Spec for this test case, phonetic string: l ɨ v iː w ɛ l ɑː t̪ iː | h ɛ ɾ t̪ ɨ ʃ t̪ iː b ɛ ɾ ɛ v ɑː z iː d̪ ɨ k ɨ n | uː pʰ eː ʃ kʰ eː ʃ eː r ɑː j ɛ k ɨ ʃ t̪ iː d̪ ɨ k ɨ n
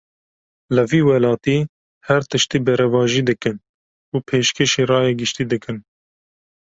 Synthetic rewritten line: l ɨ v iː w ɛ l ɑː t̪ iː | h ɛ ɾ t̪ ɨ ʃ t̪ iː b ɛ ɾ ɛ v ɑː ʒ iː d̪ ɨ k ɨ n | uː pʰ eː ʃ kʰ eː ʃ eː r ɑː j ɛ ɡ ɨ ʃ t̪ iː d̪ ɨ k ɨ n